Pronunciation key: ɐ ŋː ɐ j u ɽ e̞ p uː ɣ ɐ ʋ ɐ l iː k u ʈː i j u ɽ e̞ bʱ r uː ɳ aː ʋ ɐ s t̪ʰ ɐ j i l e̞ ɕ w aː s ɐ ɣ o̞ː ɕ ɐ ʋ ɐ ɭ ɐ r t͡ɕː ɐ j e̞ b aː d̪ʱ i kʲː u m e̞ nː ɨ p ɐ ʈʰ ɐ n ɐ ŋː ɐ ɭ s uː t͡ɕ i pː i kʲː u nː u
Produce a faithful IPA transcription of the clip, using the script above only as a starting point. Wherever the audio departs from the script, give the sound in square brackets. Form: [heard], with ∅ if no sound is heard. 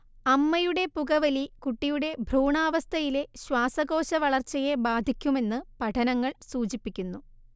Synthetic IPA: ɐ [mː] ɐ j u ɽ e̞ p [u] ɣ ɐ ʋ ɐ l [i] k u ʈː i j u ɽ e̞ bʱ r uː ɳ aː ʋ ɐ s t̪ʰ ɐ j i l e̞ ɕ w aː s ɐ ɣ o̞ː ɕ ɐ ʋ ɐ ɭ ɐ r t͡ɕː ɐ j e̞ b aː d̪ʱ i kʲː u m e̞ nː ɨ p ɐ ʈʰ ɐ n ɐ ŋː ɐ ɭ s uː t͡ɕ i pː i kʲː u nː u